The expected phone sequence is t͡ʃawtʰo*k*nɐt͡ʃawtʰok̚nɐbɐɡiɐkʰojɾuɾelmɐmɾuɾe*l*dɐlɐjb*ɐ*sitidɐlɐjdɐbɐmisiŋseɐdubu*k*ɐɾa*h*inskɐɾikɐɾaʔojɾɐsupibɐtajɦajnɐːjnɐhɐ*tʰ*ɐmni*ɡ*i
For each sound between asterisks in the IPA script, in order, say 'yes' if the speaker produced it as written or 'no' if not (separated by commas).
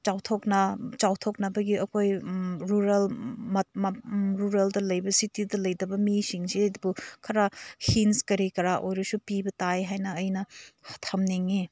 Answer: yes, yes, yes, no, yes, yes, no